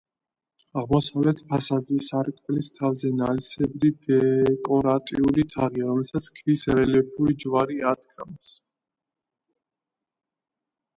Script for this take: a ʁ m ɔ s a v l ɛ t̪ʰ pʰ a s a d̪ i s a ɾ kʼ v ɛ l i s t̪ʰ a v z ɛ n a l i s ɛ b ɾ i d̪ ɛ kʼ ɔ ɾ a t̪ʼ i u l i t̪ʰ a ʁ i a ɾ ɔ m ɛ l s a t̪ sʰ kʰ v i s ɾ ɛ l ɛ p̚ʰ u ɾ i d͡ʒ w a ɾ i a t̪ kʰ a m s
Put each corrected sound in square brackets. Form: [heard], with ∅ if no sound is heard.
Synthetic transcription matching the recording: a ʁ m ɔ s a v l ɛ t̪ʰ pʰ a s a d̪ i s a ɾ kʼ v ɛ l i s t̪ʰ a v z ɛ n a l i s ɛ b ɾ i d̪ ɛ kʼ ɔ ɾ a t̪ʼ i u l i t̪ʰ a ʁ i a ɾ ɔ m ɛ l s a t̪ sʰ kʰ v i s ɾ ɛ l ɛ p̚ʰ u ɾ i d͡ʒ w a ɾ i a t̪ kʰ a m s